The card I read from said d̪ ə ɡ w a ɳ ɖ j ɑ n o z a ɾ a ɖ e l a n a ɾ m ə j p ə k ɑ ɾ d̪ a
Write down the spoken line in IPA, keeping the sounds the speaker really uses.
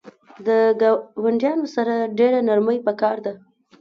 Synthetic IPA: d̪ ə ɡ w a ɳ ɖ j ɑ n o s a ɾ a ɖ e ɾ a n a ɾ m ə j p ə k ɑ ɾ d̪ a

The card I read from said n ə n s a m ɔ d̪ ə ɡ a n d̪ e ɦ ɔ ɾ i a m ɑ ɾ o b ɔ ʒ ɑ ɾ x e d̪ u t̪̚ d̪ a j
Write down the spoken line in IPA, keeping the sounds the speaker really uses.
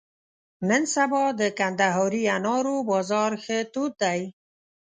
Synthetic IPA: n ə n s a b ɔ d̪ ə k a n d̪ a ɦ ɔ ɾ i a n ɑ ɾ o b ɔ z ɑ ɾ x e t̪ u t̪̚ d̪ a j

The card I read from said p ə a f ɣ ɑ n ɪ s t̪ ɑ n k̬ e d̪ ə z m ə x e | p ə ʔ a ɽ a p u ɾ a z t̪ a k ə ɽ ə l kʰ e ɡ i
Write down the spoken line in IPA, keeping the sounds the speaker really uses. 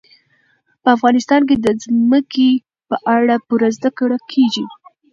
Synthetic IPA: p ə a f ɣ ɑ n ɪ s t̪ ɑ n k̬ e d̪ ə z m ə k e | p ə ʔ a ɽ a p u ɾ a z d̪ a k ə ɽ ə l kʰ e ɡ i

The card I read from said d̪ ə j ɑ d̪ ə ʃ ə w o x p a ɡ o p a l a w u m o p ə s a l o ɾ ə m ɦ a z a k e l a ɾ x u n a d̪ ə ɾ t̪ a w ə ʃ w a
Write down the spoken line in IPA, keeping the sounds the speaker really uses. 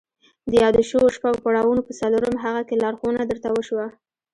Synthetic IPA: d̪ ə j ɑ d̪ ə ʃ ə w o ʃ p a ɡ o p a ɽ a w u n o p ə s a l o ɾ ə m ɦ a ɣ a k e l ɑ ɾ x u n a d̪ ə ɾ t̪ a w ə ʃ w a

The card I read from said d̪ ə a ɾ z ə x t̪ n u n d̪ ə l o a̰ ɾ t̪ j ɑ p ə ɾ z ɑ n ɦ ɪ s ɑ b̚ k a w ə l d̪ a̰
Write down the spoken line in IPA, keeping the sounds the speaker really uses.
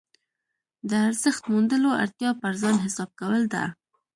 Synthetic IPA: d̪ ə a ɾ z ə x t̪ m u n d̪ ə l o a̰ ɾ t̪ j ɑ p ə ɾ z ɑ n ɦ ɪ s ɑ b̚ k a w ə l d̪ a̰

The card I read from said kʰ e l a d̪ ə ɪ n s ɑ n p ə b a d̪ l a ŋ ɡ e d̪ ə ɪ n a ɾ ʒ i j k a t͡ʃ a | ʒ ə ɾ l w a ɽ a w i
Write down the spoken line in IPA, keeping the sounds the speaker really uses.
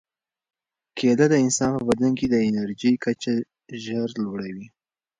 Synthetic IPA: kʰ e l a d̪ ə ɪ n s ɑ n p ə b a d̪ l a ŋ k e d̪ ə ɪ n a ɾ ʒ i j k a t͡ʃ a | ʒ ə ɾ l w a ɽ a w i

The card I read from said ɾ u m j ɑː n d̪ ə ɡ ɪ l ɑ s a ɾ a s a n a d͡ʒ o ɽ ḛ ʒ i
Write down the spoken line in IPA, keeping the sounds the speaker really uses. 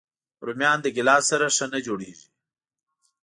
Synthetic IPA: ɾ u m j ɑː n d̪ ə ɡ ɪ l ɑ s a ɾ a ʂ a n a d͡ʒ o ɽ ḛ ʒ i

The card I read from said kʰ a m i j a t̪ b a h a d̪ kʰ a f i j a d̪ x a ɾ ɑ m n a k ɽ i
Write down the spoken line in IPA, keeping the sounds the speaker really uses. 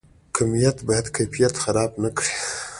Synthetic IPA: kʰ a m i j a t̪ b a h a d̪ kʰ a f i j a t̪ x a ɾ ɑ b n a k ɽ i

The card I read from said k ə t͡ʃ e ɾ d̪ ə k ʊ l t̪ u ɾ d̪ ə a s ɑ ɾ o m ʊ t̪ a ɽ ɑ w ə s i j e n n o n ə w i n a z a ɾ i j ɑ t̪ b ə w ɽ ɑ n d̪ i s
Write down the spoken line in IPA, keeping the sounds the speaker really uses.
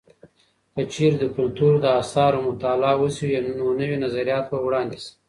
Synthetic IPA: k ə t͡ʃ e ɾ d̪ ə k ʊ l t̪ u ɾ d̪ ə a s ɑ ɾ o m ʊ t̪ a l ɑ w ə s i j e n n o n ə w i n a z a ɾ i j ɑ t̪ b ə w ɽ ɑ n d̪ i s

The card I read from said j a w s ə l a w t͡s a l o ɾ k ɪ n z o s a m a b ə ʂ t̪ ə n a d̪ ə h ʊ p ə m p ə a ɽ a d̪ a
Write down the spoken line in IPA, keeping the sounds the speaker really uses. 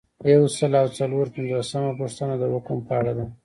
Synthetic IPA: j a w s ə l a w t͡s a l o ɾ p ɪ n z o s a m a p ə ʂ t̪ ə n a d̪ ə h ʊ k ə m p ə a ɽ a d̪ a

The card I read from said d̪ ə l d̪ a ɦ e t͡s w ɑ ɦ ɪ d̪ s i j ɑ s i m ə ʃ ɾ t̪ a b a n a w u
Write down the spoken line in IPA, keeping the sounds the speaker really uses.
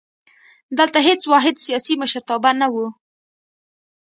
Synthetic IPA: d̪ ə l t̪ a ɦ e t͡s w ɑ ɦ ɪ d̪ s i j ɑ s i m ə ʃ ɾ t̪ ɑ b a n a w u

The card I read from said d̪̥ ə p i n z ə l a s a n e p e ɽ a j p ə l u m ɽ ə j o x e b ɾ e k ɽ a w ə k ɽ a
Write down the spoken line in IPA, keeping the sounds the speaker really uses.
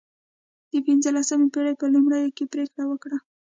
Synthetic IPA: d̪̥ ə p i n z ə l a s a m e p e ɽ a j p ə l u m ɽ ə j o k e p ɾ e k ɽ a w ə k ɽ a

